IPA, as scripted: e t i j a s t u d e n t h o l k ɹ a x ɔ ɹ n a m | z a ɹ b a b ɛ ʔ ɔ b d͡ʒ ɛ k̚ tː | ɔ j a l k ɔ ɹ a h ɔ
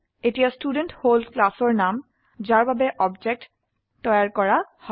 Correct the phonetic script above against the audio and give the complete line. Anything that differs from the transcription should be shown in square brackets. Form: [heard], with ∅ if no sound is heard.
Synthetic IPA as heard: e t i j a s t u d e n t h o l k [l] a [s] ɔ ɹ n a m | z a ɹ b a b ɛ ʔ ɔ b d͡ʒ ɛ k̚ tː | ɔ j a [ɹ] k ɔ ɹ a h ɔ